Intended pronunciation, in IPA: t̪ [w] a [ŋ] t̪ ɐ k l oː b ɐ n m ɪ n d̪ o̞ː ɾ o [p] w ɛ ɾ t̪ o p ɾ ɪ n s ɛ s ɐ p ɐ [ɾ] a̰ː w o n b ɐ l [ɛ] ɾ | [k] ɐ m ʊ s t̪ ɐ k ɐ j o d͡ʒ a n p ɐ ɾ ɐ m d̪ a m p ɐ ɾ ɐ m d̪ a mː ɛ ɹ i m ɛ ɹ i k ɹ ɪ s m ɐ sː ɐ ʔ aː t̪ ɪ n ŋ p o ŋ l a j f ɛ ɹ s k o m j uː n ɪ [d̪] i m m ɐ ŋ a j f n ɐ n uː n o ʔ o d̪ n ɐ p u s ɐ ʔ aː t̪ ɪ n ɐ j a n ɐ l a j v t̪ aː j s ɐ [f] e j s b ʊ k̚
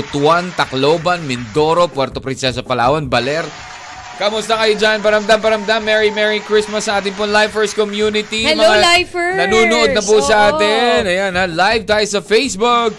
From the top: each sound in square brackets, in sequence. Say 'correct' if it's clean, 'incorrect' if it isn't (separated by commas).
correct, incorrect, correct, incorrect, correct, correct, incorrect, correct